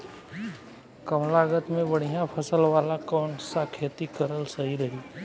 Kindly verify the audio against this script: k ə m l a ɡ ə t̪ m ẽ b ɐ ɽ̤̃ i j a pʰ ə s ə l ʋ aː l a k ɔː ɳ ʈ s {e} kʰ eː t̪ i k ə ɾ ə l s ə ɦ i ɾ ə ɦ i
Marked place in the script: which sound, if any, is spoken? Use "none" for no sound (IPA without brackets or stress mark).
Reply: a